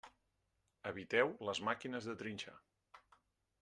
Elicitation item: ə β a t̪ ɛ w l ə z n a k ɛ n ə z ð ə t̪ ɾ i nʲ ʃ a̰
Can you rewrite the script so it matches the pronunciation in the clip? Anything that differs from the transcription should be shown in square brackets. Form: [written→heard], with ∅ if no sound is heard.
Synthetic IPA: ə β [a→i] t̪ ɛ w l ə z [n→m] a k [ɛ→i] n ə z ð ə t̪ ɾ i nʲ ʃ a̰